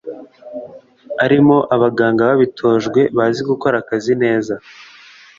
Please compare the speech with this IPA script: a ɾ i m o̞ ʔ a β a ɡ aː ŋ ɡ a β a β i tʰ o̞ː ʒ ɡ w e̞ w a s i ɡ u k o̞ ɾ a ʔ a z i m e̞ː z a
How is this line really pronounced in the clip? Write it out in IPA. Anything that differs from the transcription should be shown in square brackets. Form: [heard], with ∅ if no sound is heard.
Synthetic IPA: a ɾ i m o̞ ʔ a β a ɡ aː ŋ ɡ a β a β i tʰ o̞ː ʒ ɡ w e̞ [β] a [z] i ɡ u k o̞ ɾ a [k] a z i [n] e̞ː z a